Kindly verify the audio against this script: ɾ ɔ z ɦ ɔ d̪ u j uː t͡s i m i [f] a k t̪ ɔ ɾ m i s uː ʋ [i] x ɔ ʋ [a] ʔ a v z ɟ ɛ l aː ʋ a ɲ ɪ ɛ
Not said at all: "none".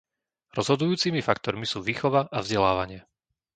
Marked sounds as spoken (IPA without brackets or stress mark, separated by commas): f, iː, a